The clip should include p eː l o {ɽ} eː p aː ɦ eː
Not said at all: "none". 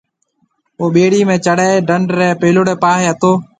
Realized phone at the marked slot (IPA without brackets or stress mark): ɽ